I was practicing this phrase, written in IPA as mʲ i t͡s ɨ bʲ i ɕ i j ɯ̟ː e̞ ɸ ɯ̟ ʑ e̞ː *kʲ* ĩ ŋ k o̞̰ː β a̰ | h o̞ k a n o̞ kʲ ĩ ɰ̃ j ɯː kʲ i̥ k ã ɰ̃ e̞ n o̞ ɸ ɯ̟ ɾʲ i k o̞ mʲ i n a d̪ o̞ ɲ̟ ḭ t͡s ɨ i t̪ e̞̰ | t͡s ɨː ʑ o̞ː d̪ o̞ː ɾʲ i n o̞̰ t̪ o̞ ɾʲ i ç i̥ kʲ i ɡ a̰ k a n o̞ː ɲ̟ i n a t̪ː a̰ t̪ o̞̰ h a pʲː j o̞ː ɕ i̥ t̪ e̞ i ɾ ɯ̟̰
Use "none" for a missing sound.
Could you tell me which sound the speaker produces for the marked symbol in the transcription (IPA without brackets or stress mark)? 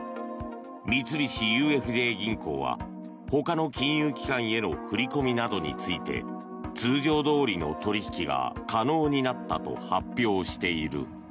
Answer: ɡʲ